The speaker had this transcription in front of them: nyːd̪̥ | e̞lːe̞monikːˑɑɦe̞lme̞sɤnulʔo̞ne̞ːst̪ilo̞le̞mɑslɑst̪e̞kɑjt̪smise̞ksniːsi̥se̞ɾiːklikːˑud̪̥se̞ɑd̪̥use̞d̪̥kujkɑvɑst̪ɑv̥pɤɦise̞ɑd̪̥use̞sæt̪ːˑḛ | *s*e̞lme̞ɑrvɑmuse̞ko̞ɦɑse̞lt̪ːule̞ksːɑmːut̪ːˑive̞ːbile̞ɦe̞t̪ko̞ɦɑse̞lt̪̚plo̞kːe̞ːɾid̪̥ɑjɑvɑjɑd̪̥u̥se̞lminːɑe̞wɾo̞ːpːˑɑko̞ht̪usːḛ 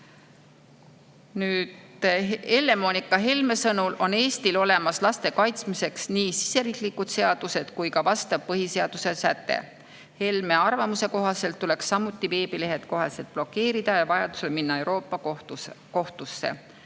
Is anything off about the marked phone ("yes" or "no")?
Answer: yes